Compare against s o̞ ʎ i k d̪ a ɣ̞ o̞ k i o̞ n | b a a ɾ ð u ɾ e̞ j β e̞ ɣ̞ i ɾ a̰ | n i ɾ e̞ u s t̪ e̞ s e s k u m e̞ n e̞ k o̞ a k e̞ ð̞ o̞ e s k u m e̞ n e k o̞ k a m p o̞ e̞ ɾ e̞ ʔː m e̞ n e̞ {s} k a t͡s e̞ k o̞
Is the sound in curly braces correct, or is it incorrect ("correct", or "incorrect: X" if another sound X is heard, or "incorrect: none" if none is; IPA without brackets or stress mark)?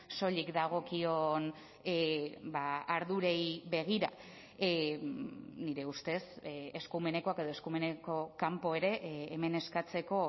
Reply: correct